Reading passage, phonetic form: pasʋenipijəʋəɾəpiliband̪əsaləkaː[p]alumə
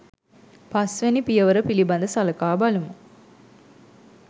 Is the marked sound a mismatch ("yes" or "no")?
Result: yes